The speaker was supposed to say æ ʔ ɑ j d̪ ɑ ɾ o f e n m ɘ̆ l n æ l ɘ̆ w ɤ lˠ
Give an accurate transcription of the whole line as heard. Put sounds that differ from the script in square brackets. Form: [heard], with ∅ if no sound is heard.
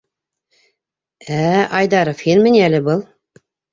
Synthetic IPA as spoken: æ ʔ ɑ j d̪ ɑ ɾ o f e n m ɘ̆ [∅] n æ l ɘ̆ [b] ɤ lˠ